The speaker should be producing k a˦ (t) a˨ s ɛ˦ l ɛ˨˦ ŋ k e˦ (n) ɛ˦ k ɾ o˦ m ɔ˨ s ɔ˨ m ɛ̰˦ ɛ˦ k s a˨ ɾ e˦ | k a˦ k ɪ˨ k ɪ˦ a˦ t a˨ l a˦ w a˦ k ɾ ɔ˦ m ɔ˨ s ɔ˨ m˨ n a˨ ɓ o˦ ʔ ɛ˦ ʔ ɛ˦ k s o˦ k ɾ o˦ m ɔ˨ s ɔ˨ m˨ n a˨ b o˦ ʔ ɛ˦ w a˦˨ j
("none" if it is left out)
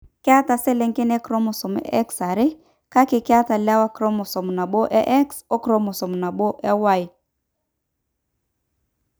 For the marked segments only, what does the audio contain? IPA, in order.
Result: t, n

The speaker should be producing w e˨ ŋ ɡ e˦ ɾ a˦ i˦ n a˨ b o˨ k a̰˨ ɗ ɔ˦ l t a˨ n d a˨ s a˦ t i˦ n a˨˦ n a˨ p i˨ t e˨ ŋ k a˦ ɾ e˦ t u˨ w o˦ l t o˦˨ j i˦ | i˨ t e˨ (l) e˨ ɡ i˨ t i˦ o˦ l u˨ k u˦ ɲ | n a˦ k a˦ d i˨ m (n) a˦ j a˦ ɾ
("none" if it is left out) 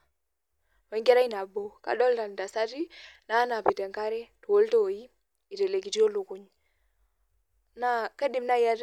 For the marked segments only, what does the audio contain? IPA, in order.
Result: l, n

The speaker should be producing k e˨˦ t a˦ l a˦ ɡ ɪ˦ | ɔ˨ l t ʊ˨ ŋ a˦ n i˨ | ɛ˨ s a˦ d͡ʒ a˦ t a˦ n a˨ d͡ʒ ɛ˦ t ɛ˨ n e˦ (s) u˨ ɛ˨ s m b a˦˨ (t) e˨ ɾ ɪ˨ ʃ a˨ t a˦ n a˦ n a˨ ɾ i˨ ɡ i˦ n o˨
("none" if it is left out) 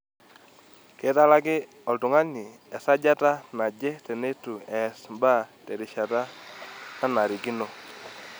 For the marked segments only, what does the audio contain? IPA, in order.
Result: t, t

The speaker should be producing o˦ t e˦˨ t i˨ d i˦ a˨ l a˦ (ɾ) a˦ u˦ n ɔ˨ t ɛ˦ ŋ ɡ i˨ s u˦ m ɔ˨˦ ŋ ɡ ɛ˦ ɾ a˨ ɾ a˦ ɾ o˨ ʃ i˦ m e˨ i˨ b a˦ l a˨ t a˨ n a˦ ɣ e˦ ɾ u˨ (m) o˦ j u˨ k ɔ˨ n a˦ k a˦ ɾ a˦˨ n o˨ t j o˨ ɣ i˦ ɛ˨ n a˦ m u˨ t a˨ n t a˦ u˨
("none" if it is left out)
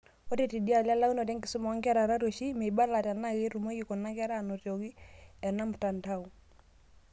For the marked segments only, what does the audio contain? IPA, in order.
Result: l, m

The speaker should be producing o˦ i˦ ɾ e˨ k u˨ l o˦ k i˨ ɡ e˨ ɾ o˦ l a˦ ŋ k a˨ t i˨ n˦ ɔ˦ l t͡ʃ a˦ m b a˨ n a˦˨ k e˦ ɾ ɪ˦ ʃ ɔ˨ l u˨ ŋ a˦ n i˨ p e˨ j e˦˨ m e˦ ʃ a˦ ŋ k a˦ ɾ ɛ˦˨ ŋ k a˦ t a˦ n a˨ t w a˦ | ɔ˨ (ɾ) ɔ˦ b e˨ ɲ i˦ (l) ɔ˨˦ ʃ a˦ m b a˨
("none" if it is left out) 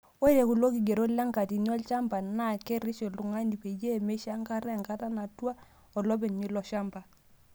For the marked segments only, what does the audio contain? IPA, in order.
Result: l, l

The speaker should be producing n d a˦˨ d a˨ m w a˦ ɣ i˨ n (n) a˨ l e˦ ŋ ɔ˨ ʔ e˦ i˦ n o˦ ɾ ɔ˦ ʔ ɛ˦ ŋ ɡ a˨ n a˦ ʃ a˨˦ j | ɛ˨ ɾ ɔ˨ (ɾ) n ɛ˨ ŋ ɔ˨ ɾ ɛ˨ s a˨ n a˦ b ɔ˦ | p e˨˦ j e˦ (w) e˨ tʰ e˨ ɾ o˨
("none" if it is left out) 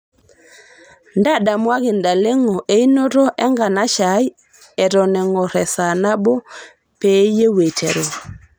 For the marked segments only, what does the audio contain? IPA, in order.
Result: d, none, w

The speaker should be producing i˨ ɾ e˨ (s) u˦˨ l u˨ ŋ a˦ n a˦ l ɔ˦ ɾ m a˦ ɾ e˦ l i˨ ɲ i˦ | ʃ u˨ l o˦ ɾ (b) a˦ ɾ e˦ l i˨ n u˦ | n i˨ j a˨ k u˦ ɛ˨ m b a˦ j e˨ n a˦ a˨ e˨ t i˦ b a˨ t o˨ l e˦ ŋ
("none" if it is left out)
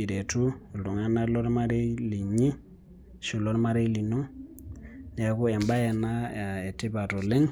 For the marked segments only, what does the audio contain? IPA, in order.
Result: t, m

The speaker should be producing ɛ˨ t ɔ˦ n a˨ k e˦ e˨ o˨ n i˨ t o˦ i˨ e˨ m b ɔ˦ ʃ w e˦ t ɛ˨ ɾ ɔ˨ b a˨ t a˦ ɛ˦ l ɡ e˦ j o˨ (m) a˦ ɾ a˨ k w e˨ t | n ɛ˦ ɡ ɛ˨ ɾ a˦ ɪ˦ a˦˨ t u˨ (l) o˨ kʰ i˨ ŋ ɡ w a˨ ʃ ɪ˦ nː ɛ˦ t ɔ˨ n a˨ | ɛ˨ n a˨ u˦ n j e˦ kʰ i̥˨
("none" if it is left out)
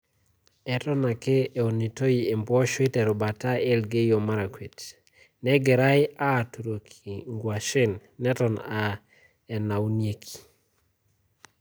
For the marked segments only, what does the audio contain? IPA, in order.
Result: m, ɾ

